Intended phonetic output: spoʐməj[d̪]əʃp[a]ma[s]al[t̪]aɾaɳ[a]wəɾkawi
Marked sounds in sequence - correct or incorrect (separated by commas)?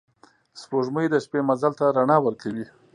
correct, incorrect, incorrect, correct, incorrect